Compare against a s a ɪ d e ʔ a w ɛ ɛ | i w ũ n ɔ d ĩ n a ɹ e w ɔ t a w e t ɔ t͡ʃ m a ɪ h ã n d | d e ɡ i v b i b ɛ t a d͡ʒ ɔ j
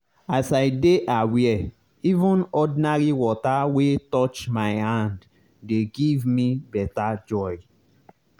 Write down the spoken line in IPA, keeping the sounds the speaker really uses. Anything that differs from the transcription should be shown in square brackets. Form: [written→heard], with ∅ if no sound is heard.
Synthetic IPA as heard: a s a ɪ d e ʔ a w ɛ ɛ | i [w→v] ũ n ɔ d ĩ n a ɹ [e→i] w ɔ t a w e t ɔ t͡ʃ m a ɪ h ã n d | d e ɡ i v [b→m] i b ɛ t a d͡ʒ ɔ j

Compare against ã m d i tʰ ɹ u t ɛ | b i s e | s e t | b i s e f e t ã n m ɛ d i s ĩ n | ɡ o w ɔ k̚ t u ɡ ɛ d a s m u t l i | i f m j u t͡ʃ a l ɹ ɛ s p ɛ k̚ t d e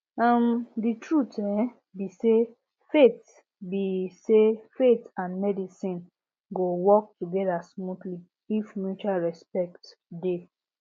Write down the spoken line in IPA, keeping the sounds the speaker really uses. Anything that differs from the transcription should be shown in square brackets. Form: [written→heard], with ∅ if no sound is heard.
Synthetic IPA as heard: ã m d i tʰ ɹ u t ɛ | b i s e | [s→f] e t | b i s e f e t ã n m ɛ d i s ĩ n | ɡ o w ɔ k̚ t u ɡ ɛ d a s m u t l i | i f m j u t͡ʃ a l ɹ ɛ s p ɛ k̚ t d e

